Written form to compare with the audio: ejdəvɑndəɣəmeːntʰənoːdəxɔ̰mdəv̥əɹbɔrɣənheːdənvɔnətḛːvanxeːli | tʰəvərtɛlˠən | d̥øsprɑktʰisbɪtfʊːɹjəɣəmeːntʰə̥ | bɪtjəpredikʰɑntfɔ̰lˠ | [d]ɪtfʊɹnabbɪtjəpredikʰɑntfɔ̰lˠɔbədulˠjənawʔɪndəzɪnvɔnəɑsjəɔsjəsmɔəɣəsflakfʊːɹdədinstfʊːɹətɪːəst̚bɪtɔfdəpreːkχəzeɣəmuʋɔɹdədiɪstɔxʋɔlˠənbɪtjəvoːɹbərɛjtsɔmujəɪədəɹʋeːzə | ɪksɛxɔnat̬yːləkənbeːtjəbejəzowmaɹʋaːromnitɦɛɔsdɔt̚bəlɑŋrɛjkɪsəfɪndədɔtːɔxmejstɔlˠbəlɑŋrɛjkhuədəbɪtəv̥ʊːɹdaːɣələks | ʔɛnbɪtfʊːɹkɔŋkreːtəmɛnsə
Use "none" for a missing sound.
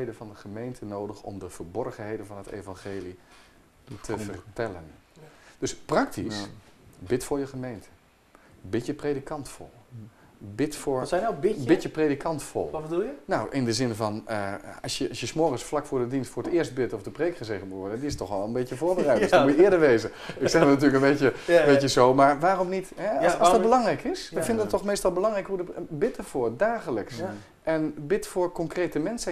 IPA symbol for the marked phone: b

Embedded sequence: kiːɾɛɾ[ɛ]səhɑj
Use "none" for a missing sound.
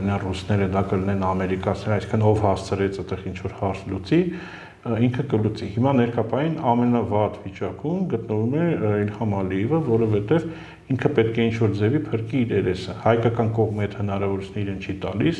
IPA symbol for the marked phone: ɛ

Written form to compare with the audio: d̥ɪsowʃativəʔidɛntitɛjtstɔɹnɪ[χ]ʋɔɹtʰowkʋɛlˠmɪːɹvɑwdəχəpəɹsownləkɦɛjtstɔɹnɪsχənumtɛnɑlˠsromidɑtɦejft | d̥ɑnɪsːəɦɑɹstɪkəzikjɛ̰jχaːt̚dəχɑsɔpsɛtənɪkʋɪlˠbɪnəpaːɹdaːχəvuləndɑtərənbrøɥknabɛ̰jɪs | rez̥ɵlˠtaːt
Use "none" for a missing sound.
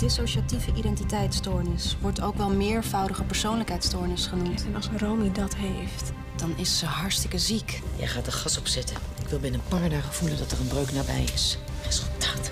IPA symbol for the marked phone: s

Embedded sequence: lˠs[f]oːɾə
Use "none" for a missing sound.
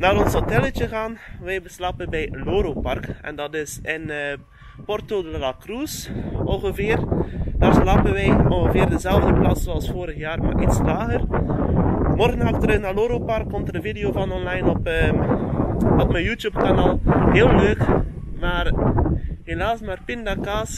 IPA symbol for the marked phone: f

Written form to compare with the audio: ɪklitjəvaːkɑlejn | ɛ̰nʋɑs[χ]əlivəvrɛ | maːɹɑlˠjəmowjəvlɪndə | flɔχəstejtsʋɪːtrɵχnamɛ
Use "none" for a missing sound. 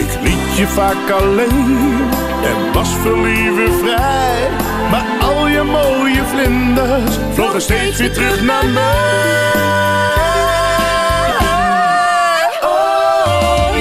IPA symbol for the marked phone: f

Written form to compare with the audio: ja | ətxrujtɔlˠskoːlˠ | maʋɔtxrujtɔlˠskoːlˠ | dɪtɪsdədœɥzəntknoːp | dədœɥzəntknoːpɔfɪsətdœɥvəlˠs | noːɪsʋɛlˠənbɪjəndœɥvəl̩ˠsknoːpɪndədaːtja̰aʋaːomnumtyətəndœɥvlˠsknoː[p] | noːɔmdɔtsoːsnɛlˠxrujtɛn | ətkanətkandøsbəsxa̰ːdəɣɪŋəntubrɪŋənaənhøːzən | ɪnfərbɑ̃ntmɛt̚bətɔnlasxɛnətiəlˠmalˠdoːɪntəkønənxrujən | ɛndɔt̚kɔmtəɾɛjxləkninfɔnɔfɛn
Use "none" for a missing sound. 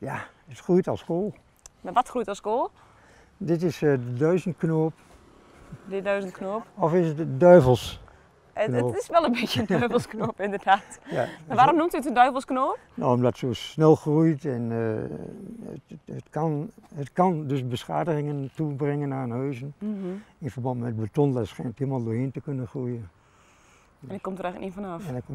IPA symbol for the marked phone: p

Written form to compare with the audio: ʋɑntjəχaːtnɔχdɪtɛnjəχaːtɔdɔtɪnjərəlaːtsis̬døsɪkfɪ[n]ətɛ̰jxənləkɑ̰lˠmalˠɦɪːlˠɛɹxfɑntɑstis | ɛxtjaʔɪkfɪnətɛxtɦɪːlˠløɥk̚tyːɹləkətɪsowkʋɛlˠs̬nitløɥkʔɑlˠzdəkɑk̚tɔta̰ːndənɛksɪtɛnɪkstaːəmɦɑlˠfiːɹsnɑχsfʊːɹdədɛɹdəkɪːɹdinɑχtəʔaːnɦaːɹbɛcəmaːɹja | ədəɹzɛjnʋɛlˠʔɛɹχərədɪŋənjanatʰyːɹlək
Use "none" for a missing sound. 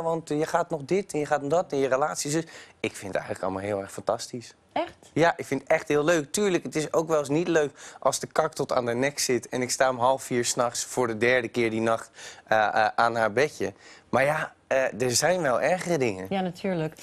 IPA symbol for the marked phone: n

